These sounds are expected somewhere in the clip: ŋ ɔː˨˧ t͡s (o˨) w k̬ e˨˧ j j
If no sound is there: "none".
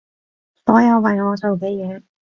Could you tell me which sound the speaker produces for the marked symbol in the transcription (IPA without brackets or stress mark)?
o˨